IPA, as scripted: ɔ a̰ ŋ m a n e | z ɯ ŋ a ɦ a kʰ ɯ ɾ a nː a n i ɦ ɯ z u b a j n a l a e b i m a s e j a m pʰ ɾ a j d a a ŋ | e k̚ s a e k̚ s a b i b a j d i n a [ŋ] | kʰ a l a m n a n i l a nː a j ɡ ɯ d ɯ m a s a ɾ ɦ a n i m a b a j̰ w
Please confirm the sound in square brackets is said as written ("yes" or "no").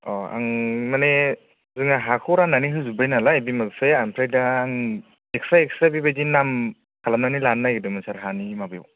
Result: no